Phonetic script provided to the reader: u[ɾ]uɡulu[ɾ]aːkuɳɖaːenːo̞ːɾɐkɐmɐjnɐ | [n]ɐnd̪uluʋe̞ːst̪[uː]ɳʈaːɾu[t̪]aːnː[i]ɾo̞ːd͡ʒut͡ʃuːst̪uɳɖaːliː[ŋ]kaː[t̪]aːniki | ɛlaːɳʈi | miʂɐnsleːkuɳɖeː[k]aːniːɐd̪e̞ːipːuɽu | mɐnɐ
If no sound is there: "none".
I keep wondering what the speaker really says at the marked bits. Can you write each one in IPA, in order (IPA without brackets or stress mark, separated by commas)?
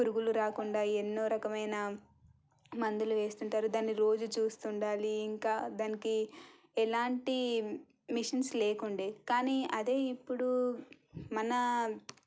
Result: ɾ, ɾ, m, u, d̪, i, ŋ, d̪, k